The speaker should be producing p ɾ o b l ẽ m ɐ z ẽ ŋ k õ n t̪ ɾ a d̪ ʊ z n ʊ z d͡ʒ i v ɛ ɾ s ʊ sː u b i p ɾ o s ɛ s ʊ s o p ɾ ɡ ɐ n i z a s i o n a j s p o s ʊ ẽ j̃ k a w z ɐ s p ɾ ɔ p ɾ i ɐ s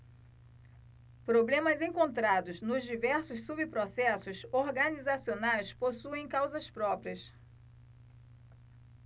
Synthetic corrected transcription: p ɾ o b l ẽ m ɐ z ẽ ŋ k õ n t̪ ɾ a d̪ ʊ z n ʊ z d͡ʒ i v ɛ ɾ s ʊ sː u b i p ɾ o s ɛ s ʊ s o ɾ ɡ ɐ n i z a s i o n a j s p o s u ẽ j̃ k a w z ɐ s p ɾ ɔ p ɾ i ɐ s

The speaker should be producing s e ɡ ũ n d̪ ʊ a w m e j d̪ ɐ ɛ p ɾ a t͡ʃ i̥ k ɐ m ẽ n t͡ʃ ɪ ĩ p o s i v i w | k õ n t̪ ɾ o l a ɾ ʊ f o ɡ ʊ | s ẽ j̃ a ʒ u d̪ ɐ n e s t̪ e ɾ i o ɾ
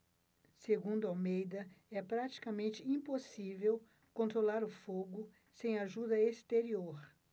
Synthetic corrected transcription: s e ɡ ũ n d̪ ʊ a w m e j d̪ ɐ ɛ p ɾ a t͡ʃ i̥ k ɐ m ẽ n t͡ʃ ɪ ĩ p o s i v e w | k õ n t̪ ɾ o l a ɾ ʊ f o ɡ ʊ | s ẽ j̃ a ʒ u d̪ ɐ e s t̪ e ɾ i o ɾ

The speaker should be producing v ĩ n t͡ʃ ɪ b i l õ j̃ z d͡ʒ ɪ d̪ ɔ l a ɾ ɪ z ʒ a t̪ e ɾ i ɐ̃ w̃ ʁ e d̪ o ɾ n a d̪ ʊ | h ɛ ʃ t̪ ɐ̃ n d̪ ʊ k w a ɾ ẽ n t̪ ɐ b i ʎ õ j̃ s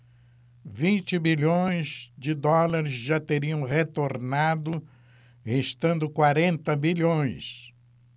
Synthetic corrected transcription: v ĩ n t͡ʃ ɪ b i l õ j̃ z d͡ʒ ɪ d̪ ɔ l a ɾ ɪ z ʒ a t̪ e ɾ i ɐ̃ w̃ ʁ e t̪ o ɾ n a d̪ ʊ | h e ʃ t̪ ɐ̃ n d̪ ʊ k w a ɾ ẽ n t̪ ɐ b i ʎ õ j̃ s

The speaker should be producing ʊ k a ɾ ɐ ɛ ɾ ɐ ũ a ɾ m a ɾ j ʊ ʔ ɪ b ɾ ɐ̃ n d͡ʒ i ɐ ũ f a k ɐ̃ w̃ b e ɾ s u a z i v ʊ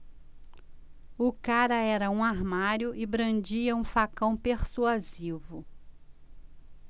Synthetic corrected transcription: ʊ k a ɾ ɐ ɛ ɾ ɐ ũ a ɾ m a ɾ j ʊ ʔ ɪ b ɾ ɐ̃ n d͡ʒ i ɐ ũ f a k ɐ̃ w̃ p e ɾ s u a z i v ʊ

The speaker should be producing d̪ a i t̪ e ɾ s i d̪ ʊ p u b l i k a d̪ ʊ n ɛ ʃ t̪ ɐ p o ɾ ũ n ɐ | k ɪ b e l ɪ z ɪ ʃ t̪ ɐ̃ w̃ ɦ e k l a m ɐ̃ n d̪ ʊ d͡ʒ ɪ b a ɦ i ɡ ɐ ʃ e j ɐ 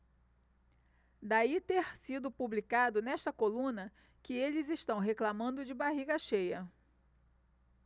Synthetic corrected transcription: d̪ a i t̪ e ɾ s i d̪ ʊ p u b l i k a d̪ ʊ n ɛ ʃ t̪ ɐ k o l ũ n ɐ | k ɪ e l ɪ z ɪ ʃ t̪ ɐ̃ w̃ ɦ e k l a m ɐ̃ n d̪ ʊ d͡ʒ ɪ b a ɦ i ɡ ɐ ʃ e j ɐ

